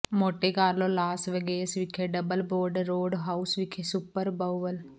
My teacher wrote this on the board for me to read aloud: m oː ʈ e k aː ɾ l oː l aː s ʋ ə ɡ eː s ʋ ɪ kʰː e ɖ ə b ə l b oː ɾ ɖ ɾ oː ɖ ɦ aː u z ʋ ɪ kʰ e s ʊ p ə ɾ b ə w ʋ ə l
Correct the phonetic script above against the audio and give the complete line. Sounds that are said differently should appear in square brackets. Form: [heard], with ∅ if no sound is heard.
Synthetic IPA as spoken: m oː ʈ e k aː ɾ l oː l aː s ʋ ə ɡ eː s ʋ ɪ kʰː e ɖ ə b ə l b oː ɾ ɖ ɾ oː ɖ ɦ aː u [s] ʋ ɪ kʰ e s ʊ p ə ɾ b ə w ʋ ə l